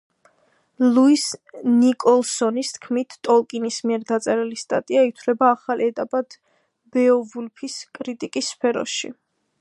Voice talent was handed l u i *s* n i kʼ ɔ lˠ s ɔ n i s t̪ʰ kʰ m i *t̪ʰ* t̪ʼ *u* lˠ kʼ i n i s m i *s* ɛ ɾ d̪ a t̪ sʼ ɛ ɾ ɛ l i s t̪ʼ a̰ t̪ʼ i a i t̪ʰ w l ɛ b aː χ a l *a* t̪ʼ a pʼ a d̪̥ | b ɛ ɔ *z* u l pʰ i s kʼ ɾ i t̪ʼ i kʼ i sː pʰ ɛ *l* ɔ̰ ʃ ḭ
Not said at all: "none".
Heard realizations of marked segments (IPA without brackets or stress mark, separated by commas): s, t̪ʰ, ɔ, none, ɛ, v, ɾ